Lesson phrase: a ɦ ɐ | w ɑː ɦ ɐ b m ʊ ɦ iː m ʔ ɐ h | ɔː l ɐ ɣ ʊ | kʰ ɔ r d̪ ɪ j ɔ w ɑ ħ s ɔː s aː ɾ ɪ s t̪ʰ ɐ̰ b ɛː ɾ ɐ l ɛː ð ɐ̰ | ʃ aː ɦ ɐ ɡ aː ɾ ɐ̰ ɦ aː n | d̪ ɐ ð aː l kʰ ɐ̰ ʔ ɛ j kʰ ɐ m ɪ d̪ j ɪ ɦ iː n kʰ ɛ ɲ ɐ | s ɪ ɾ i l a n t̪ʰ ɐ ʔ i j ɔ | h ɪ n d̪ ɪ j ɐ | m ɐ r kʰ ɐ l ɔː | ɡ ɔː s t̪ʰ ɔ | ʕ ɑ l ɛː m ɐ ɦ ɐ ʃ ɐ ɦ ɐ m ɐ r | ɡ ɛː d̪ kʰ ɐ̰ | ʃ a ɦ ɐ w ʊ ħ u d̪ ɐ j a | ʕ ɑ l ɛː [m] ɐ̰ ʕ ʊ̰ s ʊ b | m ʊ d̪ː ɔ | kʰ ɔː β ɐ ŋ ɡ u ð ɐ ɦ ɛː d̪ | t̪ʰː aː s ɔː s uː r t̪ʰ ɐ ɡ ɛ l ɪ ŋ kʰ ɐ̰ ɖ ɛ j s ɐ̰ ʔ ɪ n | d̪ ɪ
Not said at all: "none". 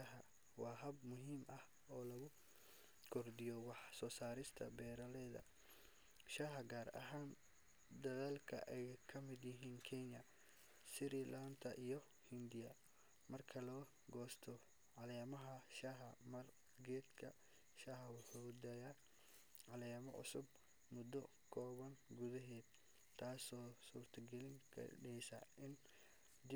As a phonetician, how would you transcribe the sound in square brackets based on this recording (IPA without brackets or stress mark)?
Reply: m